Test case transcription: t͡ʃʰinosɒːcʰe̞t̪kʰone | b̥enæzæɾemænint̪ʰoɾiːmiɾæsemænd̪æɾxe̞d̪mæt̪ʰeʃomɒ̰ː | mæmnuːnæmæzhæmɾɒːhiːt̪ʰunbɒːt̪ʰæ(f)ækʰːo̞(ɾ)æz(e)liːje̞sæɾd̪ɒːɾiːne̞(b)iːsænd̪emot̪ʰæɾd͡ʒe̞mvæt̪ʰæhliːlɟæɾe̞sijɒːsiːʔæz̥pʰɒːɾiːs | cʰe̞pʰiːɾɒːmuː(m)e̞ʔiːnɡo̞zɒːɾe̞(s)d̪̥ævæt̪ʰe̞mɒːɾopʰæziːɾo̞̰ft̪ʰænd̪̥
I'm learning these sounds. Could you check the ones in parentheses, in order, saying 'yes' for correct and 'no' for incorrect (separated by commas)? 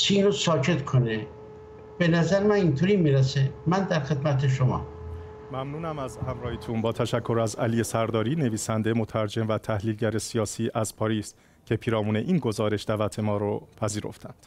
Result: no, yes, no, no, no, no